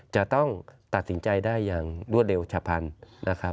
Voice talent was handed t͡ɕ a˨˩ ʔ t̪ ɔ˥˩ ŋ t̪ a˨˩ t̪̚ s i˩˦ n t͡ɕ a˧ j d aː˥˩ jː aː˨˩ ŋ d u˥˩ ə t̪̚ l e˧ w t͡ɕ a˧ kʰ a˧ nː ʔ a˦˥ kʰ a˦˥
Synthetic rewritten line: t͡ɕ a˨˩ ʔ t̪ ɔ˥˩ ŋ t̪ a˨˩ t̪̚ s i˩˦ n t͡ɕ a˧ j d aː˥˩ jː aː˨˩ ŋ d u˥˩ ə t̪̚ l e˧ w t͡ɕʰ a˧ pʰ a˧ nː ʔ a˦˥ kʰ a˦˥

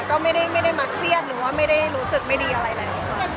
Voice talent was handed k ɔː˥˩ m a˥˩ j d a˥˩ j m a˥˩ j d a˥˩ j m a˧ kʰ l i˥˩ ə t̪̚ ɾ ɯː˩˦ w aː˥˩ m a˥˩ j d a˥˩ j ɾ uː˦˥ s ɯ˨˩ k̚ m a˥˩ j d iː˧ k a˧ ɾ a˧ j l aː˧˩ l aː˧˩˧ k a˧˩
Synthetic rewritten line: k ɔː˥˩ m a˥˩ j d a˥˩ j m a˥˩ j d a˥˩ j m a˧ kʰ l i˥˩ ə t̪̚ ɾ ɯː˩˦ w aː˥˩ m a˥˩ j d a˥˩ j ɾ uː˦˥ s ɯ˨˩ k̚ m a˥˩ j d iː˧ ʔ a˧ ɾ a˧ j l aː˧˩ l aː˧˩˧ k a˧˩

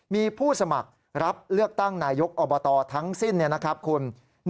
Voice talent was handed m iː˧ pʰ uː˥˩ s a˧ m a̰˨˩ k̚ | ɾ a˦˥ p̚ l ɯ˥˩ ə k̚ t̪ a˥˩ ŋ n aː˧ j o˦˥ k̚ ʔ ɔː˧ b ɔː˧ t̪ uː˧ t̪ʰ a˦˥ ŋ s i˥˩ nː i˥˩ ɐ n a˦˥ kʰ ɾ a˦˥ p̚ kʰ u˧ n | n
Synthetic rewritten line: m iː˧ pʰ uː˥˩ s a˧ m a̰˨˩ k̚ | ɾ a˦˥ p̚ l ɯ˥˩ ə k̚ t̪ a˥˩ ŋ n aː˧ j o˦˥ k̚ ʔ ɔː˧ b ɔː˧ t̪ ɔː˧ t̪ʰ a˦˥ ŋ s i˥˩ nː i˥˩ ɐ n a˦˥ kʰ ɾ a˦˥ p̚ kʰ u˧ n | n

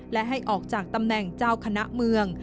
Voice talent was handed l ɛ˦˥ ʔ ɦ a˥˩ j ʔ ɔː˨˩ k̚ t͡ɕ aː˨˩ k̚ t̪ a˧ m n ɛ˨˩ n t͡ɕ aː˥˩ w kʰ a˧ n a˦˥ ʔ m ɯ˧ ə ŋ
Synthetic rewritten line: l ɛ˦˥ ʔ ɦ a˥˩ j ʔ ɔː˨˩ k̚ t͡ɕ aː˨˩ k̚ t̪ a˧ m n ɛ˨˩ ŋ t͡ɕ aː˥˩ w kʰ a˧ n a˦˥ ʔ m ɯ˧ ə ŋ

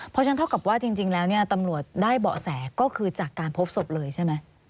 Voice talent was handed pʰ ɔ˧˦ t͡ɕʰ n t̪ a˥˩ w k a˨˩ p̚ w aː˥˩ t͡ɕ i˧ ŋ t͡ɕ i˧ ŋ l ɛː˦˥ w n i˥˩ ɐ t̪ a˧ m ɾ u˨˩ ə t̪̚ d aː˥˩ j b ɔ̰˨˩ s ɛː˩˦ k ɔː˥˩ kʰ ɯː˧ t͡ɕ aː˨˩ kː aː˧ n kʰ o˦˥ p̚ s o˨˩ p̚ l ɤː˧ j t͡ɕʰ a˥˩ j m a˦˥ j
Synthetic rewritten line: pʰ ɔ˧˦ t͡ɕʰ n t̪ʰ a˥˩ w k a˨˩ p̚ w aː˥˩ t͡ɕ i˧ ŋ t͡ɕ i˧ ŋ l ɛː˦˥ w n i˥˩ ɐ t̪ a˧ m ɾ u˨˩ ə t̪̚ d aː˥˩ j b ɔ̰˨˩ s ɛː˩˦ k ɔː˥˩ kʰ ɯː˧ t͡ɕ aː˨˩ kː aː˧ n pʰ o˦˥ p̚ s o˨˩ p̚ l ɤː˧ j t͡ɕʰ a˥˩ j m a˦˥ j

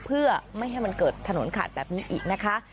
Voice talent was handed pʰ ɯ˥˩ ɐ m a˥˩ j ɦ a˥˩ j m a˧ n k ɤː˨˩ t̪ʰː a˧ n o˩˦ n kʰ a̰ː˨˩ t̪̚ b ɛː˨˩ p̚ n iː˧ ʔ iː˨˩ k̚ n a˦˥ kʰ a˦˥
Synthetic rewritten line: pʰ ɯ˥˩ ɐ m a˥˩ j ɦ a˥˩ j m a˧ n k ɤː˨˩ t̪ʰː a˧ n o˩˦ n kʰ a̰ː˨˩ t̪̚ b ɛː˨˩ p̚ n iː˦˥ ʔ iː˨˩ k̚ n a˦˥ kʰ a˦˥

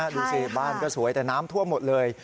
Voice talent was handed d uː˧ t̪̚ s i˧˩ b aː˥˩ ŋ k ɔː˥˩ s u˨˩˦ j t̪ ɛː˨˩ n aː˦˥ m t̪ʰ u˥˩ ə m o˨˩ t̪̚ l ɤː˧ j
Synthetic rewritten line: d uː˧ s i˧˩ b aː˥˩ n k ɔː˥˩ s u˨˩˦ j t̪ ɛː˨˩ n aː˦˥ m t̪ʰ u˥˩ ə m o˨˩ t̪̚ l ɤː˧ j

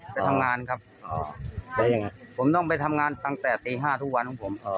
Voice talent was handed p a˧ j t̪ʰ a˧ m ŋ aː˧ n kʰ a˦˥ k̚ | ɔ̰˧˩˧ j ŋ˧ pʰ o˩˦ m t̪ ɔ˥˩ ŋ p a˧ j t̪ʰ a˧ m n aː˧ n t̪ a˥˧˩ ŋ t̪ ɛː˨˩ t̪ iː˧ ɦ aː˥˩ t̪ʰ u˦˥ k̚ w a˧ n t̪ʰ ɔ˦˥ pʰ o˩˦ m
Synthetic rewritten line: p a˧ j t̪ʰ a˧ m ŋ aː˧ n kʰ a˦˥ p̚ | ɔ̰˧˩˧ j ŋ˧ pʰ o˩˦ m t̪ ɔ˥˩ ŋ p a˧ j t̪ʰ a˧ m ŋ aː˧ n t̪ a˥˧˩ ŋ t̪ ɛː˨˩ t̪ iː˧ ɦ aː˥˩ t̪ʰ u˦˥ k̚ w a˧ n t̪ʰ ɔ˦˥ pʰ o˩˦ m

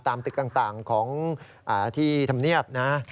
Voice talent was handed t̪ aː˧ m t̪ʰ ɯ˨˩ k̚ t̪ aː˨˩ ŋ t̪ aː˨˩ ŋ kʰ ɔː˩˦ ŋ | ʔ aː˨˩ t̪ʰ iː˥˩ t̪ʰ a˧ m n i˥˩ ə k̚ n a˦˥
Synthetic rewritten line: t̪ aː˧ m t̪ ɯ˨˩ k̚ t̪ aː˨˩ ŋ t̪ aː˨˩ ŋ kʰ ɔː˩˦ ŋ | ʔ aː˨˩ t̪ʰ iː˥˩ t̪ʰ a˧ m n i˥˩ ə p̚ n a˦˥

